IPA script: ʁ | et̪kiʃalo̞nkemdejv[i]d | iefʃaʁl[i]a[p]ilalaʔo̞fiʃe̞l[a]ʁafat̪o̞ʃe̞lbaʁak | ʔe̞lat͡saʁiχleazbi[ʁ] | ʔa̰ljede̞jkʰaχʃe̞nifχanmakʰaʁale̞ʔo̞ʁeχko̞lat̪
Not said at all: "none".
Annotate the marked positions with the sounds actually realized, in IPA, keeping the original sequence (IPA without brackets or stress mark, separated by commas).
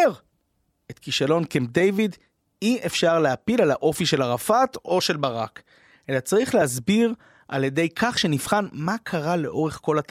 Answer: i, e, p, a, ʁ